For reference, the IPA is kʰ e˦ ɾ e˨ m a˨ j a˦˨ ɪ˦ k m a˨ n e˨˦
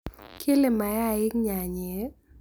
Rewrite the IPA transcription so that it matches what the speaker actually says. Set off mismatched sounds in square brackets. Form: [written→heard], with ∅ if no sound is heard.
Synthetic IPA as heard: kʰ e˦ [ɾ→l] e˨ m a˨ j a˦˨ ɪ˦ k [m→ɲ] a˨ [n→ɲ] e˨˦